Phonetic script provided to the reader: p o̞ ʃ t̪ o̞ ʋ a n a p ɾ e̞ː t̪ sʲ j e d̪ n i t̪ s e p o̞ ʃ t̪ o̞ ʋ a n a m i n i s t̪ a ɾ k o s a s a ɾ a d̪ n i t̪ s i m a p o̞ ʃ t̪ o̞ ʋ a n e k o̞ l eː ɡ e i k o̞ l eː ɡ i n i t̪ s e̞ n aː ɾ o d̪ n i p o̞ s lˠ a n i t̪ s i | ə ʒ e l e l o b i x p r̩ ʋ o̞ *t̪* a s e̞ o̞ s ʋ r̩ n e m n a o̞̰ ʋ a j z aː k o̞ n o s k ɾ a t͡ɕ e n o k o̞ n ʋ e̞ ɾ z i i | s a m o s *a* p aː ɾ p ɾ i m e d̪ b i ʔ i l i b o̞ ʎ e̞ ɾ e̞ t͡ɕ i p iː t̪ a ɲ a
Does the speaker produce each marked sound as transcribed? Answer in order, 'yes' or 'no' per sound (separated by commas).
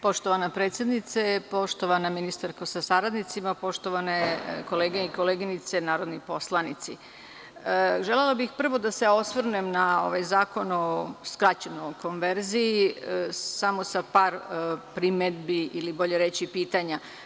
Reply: no, yes